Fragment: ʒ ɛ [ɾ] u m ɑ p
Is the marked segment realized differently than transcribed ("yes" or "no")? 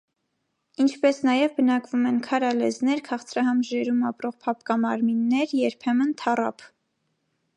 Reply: no